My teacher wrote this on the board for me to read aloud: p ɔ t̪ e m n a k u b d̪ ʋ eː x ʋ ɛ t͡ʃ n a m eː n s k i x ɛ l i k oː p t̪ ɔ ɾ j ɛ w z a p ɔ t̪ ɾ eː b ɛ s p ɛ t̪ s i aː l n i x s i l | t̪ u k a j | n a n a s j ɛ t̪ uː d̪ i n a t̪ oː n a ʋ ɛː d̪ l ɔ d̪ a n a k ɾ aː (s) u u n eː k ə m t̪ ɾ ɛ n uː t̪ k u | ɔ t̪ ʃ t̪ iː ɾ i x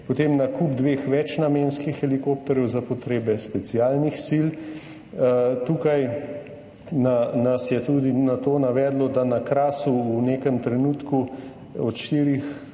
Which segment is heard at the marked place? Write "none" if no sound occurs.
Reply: s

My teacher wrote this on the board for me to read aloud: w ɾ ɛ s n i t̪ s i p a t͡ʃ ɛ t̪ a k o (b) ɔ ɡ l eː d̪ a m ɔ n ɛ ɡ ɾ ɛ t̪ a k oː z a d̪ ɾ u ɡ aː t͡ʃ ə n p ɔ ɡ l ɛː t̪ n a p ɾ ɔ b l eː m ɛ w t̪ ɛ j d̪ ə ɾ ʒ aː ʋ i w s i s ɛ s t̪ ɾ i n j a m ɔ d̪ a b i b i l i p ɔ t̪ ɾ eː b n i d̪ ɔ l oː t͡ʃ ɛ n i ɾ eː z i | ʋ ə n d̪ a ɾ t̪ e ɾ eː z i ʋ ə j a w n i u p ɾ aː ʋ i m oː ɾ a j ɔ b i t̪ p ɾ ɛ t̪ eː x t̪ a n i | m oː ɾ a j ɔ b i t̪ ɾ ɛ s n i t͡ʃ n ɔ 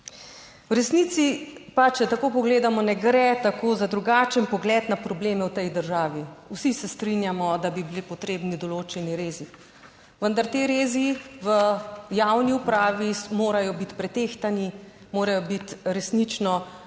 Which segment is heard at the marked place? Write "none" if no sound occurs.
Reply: p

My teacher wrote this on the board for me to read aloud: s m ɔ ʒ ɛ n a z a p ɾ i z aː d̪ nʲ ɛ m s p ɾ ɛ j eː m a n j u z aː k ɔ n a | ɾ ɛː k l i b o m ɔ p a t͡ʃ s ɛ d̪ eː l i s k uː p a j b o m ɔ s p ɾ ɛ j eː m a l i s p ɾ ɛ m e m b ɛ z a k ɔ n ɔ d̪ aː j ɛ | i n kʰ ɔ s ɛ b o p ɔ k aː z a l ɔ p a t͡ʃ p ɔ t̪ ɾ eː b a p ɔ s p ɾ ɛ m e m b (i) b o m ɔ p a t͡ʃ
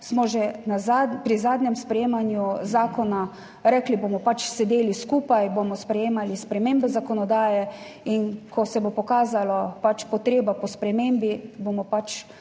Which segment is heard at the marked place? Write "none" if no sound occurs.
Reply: i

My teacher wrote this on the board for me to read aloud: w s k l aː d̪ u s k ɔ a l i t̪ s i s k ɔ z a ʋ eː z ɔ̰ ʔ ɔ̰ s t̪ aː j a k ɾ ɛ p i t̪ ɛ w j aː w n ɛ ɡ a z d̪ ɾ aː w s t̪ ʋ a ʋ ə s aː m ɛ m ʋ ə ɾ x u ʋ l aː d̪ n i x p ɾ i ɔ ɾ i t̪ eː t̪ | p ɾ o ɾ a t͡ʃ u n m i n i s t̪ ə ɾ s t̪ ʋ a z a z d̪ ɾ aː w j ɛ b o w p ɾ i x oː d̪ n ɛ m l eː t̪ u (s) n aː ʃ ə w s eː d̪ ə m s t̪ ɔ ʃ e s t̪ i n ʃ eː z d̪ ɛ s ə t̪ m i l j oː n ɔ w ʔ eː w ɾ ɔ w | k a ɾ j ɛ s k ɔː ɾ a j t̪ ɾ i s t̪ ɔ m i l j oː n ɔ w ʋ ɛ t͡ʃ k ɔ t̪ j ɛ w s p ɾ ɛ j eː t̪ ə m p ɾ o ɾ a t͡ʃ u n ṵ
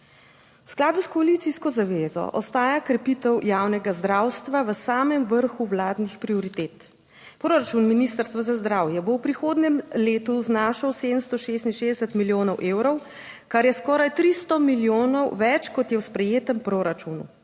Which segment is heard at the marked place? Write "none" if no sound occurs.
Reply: z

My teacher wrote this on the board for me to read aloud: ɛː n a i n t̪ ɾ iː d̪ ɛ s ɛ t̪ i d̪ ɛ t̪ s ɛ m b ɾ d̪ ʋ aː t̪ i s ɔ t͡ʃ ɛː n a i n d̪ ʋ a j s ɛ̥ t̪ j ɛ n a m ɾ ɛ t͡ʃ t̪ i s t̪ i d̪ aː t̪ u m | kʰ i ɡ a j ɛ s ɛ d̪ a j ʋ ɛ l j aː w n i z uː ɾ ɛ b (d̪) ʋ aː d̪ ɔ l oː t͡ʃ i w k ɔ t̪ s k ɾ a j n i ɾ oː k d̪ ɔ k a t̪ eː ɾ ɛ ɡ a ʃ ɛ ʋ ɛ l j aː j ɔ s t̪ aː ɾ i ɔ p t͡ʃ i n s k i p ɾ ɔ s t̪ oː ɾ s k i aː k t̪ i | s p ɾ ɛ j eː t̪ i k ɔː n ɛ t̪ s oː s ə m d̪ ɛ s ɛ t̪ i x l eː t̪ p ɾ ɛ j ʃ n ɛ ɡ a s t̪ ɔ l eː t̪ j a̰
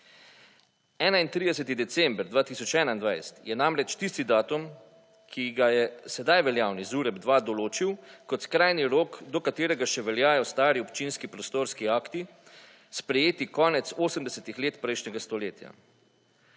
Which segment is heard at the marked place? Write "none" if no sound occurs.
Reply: d̪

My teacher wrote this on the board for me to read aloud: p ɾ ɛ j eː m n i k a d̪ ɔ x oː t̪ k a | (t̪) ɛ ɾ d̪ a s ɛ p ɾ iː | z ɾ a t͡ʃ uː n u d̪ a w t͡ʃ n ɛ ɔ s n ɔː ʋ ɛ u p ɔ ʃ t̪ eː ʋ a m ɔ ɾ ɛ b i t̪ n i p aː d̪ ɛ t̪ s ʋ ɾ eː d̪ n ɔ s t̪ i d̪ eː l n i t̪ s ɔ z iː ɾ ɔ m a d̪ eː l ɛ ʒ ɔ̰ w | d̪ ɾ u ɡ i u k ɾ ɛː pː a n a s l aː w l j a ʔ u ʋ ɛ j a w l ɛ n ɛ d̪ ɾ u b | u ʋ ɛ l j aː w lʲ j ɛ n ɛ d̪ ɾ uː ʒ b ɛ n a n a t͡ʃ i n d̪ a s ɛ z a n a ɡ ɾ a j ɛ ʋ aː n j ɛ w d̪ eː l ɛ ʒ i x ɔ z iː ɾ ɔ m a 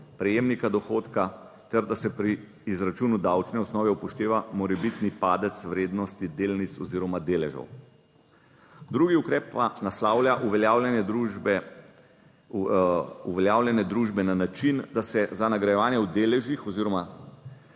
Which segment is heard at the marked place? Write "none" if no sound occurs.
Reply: t̪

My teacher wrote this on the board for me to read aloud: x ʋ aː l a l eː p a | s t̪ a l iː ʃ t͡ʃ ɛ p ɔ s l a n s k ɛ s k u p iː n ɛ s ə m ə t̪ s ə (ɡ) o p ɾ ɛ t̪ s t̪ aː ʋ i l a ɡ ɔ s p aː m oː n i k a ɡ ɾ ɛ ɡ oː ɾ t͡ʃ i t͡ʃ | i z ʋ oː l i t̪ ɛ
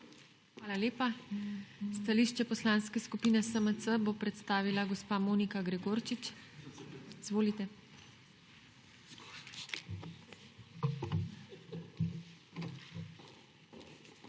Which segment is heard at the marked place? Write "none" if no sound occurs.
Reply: b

